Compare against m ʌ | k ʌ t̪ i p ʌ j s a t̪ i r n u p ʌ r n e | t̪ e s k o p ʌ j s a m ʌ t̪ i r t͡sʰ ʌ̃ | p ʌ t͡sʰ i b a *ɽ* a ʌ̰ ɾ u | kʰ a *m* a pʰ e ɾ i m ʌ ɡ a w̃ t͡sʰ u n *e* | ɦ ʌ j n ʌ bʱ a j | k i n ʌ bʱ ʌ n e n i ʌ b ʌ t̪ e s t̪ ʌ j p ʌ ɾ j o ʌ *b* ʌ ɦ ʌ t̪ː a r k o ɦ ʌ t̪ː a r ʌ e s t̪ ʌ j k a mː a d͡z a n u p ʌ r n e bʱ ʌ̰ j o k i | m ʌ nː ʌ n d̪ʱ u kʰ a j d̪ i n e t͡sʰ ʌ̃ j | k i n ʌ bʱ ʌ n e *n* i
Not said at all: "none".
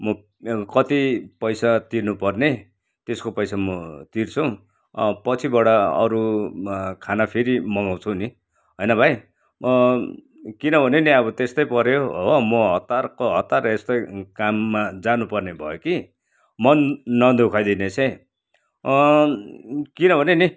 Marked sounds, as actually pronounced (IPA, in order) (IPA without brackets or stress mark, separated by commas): ɽ, n, i, m, n